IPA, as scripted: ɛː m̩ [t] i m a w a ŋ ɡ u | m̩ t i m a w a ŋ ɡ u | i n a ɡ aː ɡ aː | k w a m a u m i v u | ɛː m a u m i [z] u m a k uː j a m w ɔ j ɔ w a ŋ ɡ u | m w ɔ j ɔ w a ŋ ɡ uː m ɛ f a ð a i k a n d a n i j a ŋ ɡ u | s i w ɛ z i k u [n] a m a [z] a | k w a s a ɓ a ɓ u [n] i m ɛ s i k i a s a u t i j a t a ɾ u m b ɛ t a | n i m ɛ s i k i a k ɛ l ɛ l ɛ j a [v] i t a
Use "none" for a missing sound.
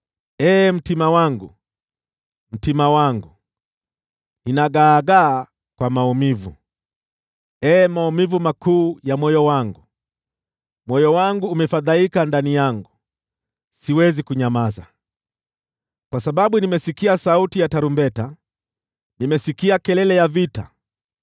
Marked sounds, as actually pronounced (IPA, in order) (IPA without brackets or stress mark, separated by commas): t, v, ɲ, z, n, v